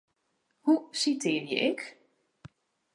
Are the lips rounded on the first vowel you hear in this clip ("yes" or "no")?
yes